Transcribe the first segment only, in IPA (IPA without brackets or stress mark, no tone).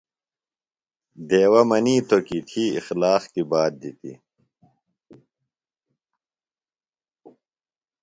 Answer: d̪